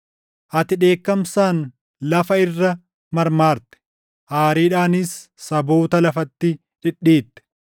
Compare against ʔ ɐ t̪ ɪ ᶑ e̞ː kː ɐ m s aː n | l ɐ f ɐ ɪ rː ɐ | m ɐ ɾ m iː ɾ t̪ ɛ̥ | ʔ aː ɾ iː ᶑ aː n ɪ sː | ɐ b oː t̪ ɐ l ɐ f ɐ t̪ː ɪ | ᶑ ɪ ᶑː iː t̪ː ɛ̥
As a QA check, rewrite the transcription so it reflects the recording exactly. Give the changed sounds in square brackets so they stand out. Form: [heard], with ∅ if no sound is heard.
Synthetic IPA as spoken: ʔ ɐ t̪ ɪ ᶑ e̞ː kː ɐ m s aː n | l ɐ f ɐ ɪ rː ɐ | m ɐ ɾ m [aː] ɾ t̪ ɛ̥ | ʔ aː ɾ iː ᶑ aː n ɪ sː | ɐ b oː t̪ ɐ l ɐ f ɐ t̪ː ɪ | ᶑ ɪ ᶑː iː t̪ː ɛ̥